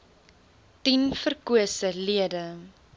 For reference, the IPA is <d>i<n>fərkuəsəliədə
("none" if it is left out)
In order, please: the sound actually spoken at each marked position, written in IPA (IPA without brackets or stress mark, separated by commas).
t, n